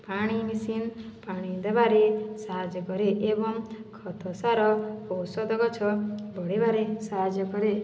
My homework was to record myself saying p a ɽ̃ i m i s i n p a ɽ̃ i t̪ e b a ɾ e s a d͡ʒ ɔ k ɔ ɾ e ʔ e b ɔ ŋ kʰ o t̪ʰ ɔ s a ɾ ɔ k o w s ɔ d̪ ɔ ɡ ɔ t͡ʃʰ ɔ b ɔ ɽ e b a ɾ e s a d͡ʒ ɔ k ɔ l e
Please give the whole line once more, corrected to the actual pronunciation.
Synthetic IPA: p a ɽ̃ i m i s i n p a ɽ̃ i d̪ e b a ɾ e s a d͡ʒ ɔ k ɔ ɾ e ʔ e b ɔ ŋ kʰ ɔ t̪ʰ ɔ s a ɾ ɔ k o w s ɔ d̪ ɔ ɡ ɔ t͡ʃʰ ɔ b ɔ ɽ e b a ɾ e s a d͡ʒ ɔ k ɔ ɾ e